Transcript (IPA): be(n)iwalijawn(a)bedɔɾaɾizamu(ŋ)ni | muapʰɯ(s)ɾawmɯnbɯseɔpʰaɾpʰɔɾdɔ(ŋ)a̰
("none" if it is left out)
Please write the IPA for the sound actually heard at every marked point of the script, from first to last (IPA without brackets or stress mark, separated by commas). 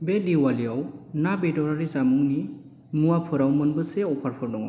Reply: d, a, ŋ, none, ŋ